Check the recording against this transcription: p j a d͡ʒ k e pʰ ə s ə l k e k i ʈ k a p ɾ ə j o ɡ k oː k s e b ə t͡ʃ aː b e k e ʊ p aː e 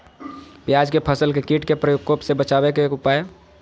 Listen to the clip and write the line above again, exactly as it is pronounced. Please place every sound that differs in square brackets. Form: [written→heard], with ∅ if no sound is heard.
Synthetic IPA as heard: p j a d͡ʒ k e pʰ ə s ə l k e k i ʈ k [a→e] p ɾ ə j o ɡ k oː [k→p] s e b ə t͡ʃ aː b e k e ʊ p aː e